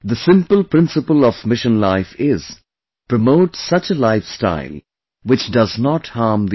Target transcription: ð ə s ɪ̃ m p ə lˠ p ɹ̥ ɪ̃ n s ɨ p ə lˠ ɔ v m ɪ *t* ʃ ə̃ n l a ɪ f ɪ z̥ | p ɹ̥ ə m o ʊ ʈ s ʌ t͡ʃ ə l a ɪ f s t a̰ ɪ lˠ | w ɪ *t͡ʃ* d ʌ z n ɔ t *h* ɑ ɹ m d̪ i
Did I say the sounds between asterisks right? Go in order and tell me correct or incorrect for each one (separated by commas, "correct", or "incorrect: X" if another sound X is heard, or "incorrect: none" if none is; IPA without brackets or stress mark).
incorrect: none, correct, correct